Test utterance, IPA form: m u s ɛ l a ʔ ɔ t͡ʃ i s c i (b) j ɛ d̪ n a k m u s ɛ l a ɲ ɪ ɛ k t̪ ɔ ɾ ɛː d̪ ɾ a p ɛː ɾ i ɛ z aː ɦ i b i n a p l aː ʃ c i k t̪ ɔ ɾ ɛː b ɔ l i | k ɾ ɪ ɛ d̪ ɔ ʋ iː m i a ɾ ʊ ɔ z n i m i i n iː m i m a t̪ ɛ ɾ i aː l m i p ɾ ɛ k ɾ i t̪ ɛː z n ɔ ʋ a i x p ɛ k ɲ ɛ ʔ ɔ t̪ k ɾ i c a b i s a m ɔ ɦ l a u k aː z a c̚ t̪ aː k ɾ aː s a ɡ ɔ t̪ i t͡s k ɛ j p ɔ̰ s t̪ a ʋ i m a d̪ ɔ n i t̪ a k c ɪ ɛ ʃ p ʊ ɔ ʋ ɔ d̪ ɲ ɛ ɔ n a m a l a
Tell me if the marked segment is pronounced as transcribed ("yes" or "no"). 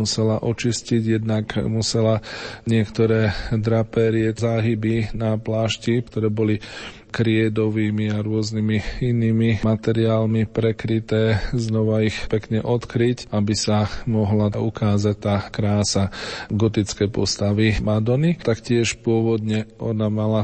no